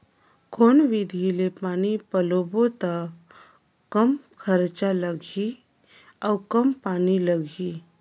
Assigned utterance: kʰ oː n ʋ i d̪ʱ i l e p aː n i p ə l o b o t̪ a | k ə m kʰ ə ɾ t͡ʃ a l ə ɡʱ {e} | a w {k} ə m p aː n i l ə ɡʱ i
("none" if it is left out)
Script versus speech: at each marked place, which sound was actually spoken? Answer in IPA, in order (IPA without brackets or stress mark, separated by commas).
i, k